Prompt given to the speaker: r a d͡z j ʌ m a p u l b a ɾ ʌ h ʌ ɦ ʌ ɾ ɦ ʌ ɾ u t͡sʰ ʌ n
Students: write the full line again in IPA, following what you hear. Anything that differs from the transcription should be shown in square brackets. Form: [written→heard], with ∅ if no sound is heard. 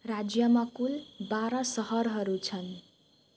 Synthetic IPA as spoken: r a d͡z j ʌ m a [p→k] u l b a ɾ ʌ [h→s] ʌ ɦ ʌ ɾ ɦ ʌ ɾ u t͡sʰ ʌ n

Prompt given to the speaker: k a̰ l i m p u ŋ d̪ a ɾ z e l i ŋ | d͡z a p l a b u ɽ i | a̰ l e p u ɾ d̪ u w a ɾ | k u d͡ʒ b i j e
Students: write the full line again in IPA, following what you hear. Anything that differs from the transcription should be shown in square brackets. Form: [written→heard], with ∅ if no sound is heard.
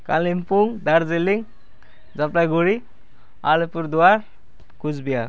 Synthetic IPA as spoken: k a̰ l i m p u ŋ d̪ a ɾ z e l i ŋ | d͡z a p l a [b→ɡ] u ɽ i | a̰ l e p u ɾ d̪ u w a ɾ | k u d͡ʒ b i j [e→a]

